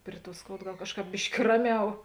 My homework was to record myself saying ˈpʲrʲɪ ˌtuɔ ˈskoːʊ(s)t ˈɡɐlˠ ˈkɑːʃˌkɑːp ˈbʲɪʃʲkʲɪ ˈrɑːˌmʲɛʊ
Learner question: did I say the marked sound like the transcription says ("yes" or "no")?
no